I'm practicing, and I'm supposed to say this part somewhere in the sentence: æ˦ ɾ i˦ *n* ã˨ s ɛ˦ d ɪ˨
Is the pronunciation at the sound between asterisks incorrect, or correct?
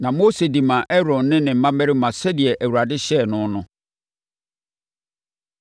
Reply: incorrect